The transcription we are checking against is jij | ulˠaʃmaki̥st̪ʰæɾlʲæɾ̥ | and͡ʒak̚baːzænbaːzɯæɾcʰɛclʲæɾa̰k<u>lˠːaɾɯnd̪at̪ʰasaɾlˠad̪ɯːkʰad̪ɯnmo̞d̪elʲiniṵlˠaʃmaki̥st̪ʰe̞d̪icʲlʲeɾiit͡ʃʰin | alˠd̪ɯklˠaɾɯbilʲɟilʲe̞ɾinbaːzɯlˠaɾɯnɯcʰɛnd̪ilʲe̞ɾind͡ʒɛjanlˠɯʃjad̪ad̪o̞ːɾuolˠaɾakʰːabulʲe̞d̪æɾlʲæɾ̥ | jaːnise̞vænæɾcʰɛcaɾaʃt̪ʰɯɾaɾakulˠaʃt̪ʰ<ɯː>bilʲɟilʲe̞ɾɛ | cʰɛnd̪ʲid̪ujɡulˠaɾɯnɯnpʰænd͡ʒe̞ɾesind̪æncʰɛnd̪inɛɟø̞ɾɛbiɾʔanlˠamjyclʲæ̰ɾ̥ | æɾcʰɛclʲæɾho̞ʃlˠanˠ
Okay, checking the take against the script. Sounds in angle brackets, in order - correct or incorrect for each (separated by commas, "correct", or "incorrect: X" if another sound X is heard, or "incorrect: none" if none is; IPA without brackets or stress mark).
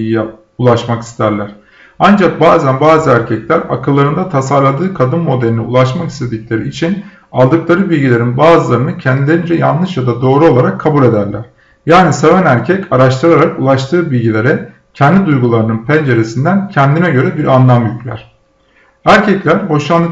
incorrect: ɯ, correct